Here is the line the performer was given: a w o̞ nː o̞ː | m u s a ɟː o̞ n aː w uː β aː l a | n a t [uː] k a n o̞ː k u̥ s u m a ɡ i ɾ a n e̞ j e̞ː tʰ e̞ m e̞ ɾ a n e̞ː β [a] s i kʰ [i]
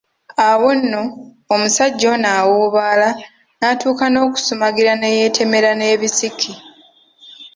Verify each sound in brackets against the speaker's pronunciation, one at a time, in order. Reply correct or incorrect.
correct, incorrect: i, correct

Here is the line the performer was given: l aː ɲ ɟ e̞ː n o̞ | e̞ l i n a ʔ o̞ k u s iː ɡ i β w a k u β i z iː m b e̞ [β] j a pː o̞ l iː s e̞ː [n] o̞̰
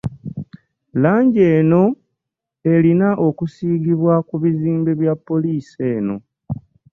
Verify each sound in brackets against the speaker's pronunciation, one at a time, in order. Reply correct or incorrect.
correct, correct

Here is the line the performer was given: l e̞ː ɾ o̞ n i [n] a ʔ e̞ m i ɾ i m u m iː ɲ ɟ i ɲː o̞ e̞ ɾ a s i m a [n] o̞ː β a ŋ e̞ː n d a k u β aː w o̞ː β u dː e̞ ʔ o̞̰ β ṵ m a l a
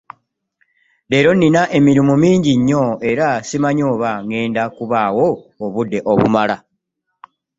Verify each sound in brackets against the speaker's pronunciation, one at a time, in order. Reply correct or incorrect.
correct, incorrect: ɲ

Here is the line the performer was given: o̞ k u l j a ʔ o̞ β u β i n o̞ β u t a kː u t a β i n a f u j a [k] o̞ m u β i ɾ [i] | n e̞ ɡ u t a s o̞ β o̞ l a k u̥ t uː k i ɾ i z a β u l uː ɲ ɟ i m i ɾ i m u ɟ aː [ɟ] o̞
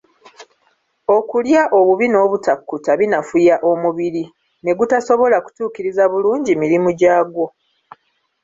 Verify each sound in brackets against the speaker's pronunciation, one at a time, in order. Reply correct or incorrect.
incorrect: ʔ, correct, incorrect: ɡ

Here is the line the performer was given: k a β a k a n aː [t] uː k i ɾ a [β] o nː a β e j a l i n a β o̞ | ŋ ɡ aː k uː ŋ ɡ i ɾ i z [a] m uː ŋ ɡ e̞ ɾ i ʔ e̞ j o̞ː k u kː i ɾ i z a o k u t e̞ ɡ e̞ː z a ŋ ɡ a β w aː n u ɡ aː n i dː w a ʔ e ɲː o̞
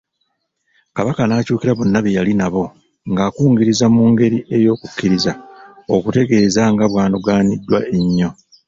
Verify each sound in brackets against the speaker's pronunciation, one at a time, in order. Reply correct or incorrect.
incorrect: c, correct, correct

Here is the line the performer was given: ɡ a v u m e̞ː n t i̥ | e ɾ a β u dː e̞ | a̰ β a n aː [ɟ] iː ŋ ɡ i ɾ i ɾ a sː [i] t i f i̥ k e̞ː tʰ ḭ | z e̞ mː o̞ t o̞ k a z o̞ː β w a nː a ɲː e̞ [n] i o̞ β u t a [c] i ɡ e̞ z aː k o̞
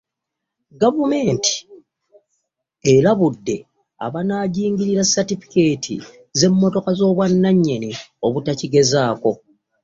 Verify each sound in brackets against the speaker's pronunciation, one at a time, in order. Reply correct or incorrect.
correct, incorrect: a, correct, correct

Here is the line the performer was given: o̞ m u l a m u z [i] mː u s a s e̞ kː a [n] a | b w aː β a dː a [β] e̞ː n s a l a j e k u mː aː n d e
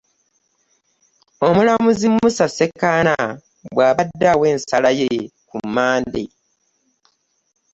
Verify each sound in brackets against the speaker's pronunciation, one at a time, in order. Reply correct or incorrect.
correct, correct, incorrect: w

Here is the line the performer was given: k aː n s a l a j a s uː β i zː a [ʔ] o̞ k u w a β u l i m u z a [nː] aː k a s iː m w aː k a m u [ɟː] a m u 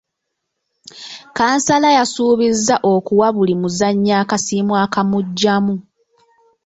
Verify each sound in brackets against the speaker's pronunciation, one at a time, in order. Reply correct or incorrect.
correct, incorrect: ɲː, correct

